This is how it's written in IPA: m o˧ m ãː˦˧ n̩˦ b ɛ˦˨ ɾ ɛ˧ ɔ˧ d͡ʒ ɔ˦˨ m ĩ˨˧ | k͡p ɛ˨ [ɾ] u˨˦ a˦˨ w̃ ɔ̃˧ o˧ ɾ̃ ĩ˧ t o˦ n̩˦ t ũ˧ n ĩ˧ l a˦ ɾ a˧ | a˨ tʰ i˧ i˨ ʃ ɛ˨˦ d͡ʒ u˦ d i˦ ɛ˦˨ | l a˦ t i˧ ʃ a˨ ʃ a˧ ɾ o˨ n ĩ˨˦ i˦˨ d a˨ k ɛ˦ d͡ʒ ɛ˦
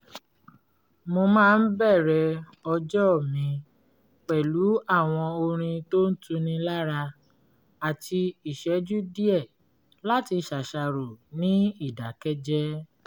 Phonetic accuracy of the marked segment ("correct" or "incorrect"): incorrect